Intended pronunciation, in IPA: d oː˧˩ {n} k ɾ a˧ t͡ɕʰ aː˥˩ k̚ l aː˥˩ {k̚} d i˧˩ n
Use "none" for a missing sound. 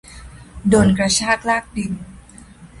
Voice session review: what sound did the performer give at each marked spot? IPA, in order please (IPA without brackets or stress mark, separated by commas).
n, k̚